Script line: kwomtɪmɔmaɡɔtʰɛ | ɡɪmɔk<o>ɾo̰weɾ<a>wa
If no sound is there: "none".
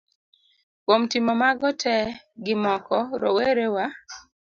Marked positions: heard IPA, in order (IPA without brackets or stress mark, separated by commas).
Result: ɔ, e